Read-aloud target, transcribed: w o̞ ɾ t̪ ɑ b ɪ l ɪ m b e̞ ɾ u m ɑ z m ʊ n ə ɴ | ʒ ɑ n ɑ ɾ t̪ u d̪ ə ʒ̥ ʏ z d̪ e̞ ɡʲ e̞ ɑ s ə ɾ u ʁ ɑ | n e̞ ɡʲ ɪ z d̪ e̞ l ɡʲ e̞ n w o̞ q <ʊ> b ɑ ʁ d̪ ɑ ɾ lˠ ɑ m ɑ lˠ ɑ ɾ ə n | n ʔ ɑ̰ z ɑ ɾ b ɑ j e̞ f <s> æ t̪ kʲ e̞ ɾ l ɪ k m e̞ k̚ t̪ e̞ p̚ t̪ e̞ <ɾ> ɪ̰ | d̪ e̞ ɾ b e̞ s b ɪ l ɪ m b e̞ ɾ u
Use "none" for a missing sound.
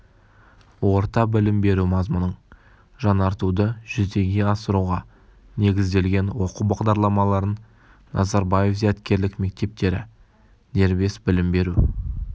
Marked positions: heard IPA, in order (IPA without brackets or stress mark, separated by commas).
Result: u, z, ɾ